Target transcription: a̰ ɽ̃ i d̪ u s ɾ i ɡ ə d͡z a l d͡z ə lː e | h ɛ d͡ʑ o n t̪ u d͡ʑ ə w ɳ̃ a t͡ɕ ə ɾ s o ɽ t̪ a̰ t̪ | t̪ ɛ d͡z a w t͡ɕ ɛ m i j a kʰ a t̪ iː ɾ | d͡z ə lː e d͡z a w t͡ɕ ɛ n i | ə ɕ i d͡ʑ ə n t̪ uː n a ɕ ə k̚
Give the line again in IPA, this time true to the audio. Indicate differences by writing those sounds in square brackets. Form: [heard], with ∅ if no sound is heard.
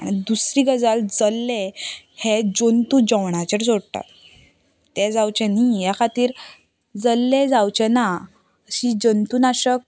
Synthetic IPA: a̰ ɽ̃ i d̪ u s ɾ i ɡ ə d͡z a l d͡z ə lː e | h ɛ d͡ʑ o n t̪ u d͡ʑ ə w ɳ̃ a t͡ɕ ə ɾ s o ɽ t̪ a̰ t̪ | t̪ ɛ d͡z a w t͡ɕ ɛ [n] i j a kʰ a t̪ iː ɾ | d͡z ə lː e d͡z a w t͡ɕ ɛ n [a] | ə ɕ i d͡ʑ ə n t̪ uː n a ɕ ə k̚